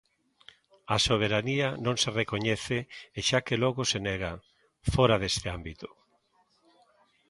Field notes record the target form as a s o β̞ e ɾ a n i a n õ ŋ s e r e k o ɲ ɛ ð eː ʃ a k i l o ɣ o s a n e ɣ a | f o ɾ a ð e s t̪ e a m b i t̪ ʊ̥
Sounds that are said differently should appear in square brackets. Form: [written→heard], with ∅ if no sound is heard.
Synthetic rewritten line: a s o β̞ e ɾ a n i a n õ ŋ s e r e k o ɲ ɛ [ð→θ] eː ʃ a k [i→e] l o ɣ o s [a→e] n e ɣ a | f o ɾ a ð e s t̪ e a m b i t̪ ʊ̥